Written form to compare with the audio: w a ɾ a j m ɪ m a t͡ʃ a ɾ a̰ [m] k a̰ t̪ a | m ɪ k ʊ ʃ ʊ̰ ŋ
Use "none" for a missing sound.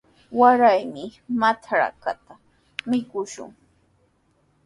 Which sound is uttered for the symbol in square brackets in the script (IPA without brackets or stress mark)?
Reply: none